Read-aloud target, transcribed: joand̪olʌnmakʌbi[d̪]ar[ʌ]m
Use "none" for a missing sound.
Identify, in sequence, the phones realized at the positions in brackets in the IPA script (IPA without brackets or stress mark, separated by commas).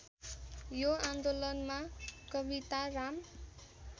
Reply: t̪, a